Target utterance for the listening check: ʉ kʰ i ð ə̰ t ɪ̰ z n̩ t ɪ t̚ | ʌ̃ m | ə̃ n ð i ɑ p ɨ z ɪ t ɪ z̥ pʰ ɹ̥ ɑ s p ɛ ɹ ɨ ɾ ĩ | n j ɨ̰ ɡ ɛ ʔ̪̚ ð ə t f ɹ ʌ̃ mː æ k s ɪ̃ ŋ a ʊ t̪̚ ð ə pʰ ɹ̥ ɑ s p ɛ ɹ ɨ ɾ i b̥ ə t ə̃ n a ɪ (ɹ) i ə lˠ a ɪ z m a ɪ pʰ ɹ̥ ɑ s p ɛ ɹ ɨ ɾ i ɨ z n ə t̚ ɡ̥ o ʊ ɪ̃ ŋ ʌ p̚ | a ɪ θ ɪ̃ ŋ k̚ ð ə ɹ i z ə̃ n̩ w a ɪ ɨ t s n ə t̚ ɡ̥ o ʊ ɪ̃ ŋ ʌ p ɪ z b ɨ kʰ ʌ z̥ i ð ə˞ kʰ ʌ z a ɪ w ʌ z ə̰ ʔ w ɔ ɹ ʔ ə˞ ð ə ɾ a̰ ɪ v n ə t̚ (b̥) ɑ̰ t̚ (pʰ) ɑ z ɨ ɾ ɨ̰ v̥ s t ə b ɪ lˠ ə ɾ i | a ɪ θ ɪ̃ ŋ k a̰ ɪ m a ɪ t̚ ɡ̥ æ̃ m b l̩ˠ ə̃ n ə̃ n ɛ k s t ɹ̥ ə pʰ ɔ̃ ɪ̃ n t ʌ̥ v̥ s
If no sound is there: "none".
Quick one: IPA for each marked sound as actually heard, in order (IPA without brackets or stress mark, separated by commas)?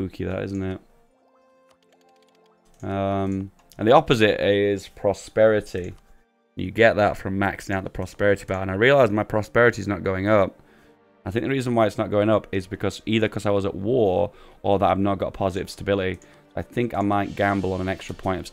ɹ, ɡ̥, pʰ